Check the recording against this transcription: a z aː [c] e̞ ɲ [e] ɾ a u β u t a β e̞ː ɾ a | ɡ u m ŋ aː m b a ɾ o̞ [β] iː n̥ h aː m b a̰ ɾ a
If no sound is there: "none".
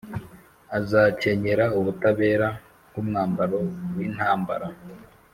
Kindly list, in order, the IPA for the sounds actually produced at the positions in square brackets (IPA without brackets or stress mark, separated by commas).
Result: c, e, w